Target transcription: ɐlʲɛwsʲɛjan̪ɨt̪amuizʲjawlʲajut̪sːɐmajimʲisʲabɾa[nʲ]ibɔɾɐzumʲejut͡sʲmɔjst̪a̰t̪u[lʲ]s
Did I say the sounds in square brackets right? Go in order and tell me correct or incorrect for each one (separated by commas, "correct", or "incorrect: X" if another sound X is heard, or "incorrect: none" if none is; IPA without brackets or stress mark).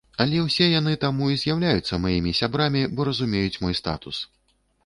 incorrect: mʲ, incorrect: none